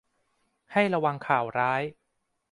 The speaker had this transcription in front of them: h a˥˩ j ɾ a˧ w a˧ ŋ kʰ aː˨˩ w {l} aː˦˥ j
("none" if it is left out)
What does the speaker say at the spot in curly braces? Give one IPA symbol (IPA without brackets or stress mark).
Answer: ɾ